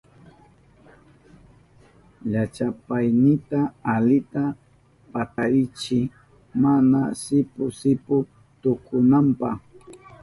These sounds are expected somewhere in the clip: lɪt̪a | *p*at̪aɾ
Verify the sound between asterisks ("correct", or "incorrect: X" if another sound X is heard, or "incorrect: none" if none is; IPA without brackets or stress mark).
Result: correct